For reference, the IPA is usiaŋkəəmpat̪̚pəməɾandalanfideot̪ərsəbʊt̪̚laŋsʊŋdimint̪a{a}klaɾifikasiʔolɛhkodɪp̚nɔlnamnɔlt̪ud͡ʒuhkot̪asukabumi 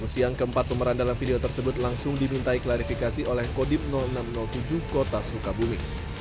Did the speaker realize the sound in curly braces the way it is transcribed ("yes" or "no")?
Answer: no